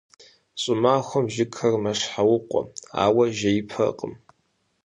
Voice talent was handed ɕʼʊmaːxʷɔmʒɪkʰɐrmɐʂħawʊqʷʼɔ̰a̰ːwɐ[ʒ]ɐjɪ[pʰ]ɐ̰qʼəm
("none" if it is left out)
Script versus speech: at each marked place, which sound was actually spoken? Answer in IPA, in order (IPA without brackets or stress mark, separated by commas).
ʒ, pʰ